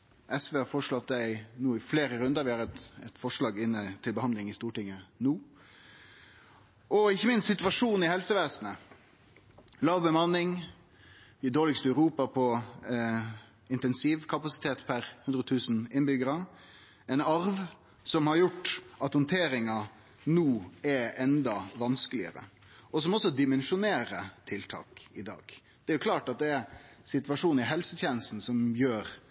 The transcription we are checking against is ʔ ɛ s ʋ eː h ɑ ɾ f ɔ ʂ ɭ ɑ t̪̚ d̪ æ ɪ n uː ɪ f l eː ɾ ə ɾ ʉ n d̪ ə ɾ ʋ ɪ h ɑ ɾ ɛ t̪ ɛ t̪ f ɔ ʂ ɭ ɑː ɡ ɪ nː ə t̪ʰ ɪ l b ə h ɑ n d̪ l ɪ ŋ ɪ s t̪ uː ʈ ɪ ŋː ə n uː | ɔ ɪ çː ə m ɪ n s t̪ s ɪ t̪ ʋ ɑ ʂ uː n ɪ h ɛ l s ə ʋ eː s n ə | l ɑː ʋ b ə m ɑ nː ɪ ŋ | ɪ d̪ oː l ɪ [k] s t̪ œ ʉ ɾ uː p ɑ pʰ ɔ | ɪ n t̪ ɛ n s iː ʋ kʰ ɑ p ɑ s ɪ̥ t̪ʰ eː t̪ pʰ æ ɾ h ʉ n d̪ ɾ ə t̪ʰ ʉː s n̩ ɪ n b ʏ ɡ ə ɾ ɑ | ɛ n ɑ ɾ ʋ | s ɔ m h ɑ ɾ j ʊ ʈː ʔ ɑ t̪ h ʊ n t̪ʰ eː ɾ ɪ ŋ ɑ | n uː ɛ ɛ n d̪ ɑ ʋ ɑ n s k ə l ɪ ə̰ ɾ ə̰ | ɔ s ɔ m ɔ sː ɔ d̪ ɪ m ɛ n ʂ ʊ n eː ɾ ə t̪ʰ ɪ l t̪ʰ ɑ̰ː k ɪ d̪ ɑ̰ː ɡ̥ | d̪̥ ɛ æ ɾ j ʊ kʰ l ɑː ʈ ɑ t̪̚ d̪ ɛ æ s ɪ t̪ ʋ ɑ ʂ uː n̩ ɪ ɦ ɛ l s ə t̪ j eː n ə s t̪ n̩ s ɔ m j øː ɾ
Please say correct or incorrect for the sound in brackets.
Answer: correct